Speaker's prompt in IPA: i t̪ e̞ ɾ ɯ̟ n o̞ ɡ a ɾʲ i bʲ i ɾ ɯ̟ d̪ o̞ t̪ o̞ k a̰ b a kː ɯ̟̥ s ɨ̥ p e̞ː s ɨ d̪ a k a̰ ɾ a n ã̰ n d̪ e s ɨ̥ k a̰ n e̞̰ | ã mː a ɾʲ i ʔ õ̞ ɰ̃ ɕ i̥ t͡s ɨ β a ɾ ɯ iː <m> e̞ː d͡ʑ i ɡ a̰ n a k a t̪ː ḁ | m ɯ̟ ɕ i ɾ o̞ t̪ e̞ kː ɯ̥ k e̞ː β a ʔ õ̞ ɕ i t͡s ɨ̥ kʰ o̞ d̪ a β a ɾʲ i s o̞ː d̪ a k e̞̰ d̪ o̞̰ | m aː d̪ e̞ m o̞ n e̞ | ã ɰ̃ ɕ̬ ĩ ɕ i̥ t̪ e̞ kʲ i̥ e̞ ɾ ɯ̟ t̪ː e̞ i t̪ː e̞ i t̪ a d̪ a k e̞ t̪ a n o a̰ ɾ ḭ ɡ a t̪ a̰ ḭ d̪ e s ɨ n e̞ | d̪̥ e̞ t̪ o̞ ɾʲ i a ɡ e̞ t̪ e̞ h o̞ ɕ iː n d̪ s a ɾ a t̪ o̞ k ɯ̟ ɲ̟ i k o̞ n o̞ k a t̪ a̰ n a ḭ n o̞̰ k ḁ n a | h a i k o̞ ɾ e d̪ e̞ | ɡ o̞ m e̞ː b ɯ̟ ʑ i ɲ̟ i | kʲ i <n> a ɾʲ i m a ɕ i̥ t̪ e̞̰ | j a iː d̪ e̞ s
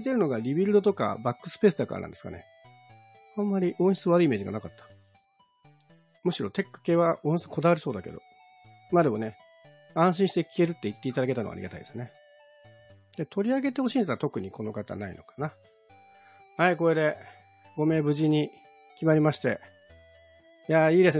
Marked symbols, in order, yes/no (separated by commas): yes, no